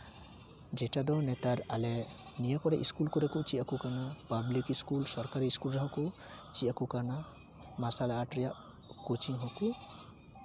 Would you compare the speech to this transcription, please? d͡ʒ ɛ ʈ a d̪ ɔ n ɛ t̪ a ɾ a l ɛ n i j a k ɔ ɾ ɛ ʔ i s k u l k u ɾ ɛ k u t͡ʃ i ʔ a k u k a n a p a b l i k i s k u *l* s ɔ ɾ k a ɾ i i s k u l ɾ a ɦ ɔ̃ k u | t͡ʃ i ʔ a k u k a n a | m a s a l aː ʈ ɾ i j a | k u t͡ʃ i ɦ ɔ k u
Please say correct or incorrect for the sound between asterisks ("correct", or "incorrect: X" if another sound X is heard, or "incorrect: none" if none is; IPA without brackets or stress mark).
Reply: correct